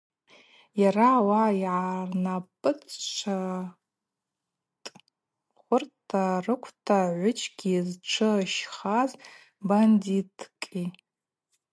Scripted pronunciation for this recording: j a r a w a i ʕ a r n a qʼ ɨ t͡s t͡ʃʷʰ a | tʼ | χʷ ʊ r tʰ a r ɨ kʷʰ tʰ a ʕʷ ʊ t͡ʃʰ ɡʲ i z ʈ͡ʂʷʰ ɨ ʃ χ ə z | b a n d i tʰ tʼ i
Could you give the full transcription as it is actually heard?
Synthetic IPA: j a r a w a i ʕ a r n a pʼ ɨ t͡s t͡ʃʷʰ a | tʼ | χʷ ʊ r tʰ a r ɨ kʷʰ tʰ a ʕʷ ʊ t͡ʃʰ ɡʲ i z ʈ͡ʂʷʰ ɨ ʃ χ a z | b a n d i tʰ kʼ i

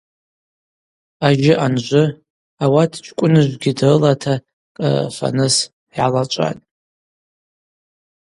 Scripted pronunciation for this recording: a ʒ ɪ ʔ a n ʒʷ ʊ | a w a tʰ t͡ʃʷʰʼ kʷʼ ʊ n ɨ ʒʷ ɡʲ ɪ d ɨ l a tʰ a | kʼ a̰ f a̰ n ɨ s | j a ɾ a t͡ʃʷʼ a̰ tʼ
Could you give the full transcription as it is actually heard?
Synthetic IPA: a ʒ ɪ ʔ a n ʒʷ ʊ | a w a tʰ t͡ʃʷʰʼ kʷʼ ʊ n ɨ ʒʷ ɡʲ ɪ d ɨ l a tʰ a | kʼ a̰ f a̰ n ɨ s | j a l a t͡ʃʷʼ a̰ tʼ

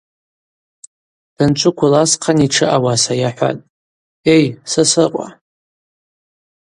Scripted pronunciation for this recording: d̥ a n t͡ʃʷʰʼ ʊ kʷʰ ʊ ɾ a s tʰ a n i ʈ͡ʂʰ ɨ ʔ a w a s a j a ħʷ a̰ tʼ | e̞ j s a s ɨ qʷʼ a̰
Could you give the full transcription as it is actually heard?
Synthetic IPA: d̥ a n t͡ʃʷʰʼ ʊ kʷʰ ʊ l a s qʰ a n i ʈ͡ʂʰ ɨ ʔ a w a s a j a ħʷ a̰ tʼ | e̞ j s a s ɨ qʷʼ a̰

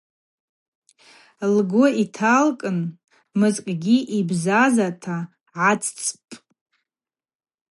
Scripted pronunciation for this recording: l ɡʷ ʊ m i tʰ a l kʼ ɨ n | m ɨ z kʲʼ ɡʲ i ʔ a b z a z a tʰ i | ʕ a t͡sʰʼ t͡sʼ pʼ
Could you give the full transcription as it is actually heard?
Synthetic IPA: l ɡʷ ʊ i tʰ a l kʼ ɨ n | m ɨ z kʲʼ ɡʲ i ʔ i b z a z a tʰ a | ʕ a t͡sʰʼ t͡sʼ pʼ

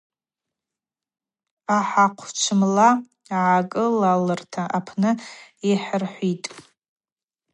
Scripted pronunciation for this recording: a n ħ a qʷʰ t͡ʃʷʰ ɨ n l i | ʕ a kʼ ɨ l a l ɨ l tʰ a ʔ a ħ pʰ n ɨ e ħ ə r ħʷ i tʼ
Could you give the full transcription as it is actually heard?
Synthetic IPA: a ħ a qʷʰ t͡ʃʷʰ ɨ m l a | ʕ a kʼ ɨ l a l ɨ r tʰ a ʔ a pʰ n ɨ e ħ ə r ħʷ i tʼ

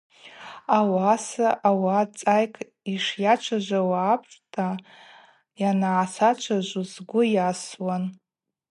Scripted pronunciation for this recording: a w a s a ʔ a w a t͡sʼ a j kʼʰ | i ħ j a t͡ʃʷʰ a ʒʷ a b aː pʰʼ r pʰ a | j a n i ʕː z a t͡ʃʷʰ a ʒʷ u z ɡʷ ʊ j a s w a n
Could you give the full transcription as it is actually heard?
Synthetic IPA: a w a s a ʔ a w a t͡sʼ a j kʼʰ | i ʂ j a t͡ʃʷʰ a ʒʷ a w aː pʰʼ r tʰ a | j a n a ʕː s a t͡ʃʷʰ a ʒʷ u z ɡʷ ʊ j a s w a n

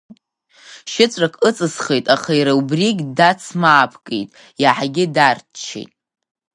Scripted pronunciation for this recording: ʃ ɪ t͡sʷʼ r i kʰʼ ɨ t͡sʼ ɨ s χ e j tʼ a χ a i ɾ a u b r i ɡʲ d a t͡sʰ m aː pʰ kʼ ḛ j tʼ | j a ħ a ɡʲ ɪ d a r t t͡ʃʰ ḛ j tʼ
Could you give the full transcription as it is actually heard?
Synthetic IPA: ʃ ɪ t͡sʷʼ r a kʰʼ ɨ t͡sʼ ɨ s χ e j tʼ a χ a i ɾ a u b r i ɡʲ d a t͡sʰ m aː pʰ kʼ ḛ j tʼ | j a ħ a ɡʲ ɪ d a r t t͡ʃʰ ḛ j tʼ

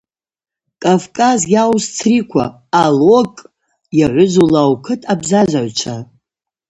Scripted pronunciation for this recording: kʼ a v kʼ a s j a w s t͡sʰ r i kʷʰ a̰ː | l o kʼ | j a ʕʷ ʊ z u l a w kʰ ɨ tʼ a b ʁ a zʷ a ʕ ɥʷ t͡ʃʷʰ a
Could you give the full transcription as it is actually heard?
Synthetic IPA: kʼ a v kʼ a z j a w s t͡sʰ r i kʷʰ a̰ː | l o kʼ | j a ʕʷ ʊ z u l a w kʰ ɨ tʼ a b z a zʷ a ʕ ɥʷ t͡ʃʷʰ a

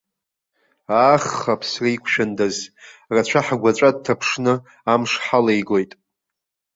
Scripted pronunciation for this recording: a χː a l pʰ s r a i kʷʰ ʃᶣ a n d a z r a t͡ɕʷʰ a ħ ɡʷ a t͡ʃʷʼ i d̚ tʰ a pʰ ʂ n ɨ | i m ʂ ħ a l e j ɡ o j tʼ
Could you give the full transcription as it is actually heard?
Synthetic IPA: a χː a pʰ s r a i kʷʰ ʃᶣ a n d a z r a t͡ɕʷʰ a ħ ɡʷ a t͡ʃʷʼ a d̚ tʰ a pʰ ʂ n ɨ | a m ʂ ħ a l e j ɡ o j tʼ

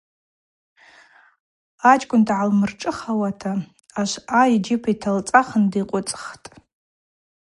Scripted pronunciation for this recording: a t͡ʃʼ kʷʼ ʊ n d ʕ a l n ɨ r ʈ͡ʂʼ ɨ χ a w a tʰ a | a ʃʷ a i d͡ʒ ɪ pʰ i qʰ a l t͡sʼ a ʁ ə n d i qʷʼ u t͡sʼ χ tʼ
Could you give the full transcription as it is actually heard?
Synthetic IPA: a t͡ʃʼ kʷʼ ʊ n d ʕ a l m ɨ r ʈ͡ʂʼ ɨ χ a w a tʰ a | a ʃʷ a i d͡ʒ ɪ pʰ i tʰ a l t͡sʼ a χ ə n d i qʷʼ ʊ t͡sʼ χ tʼ

